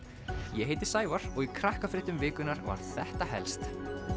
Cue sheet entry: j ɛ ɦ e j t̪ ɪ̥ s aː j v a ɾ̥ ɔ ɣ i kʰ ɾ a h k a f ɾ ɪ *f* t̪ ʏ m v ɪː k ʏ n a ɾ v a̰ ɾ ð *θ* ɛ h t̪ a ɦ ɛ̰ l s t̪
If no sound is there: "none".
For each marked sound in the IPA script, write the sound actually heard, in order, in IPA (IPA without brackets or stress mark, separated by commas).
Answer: h, θ